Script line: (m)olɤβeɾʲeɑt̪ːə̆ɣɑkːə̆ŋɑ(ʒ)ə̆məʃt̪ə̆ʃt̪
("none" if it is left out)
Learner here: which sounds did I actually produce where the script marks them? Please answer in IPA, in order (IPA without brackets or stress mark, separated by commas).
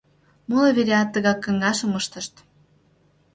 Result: m, ʃ